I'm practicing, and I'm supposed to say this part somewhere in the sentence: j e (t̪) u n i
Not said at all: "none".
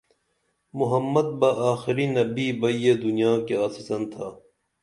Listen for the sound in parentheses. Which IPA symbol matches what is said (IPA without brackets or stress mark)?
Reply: d̪